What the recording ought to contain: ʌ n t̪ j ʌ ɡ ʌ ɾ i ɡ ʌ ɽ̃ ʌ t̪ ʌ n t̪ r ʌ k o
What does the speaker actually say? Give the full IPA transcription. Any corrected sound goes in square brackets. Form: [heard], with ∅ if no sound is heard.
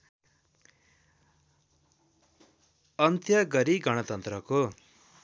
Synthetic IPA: ʌ n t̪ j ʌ ɡ ʌ ɾ i ɡ ʌ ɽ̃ ʌ t̪ ʌ n t̪ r ʌ k o